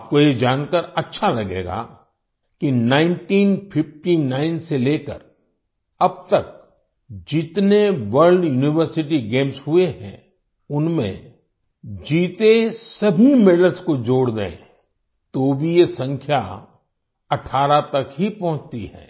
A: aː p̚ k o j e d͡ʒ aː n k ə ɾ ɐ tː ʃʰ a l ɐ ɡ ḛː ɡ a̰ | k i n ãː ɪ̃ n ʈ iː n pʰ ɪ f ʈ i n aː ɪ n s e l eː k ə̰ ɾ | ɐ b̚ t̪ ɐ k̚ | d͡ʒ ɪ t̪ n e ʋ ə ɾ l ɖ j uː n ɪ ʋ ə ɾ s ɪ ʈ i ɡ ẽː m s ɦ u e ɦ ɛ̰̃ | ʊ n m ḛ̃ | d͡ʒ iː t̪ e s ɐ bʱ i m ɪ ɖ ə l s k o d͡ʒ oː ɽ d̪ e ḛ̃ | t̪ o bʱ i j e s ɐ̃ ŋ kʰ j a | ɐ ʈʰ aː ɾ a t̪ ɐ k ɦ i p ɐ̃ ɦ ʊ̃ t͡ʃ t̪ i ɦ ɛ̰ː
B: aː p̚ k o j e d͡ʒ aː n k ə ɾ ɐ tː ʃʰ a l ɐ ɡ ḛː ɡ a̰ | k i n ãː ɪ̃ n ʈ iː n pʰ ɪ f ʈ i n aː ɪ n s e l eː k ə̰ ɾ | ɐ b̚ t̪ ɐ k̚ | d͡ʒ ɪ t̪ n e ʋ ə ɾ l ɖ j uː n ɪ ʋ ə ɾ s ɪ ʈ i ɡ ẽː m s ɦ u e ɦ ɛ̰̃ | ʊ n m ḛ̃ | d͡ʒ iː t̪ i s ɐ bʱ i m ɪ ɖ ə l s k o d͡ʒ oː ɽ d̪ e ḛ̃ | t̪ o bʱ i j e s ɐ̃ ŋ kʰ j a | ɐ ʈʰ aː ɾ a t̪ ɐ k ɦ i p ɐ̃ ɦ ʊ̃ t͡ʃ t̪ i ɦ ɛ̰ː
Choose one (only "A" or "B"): A